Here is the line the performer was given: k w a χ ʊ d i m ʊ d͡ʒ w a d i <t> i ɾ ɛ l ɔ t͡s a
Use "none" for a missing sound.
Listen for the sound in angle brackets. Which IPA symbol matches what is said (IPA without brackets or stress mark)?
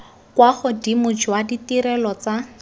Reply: t